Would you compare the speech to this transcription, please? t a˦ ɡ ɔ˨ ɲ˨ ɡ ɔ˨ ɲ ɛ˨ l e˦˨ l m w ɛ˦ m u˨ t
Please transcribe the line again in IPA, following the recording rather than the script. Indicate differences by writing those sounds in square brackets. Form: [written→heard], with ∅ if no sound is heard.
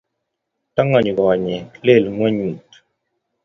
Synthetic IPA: t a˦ [ɡ→ŋ] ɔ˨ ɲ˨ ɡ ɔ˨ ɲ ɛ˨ l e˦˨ l [m→ŋ] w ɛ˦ [m→ɲ] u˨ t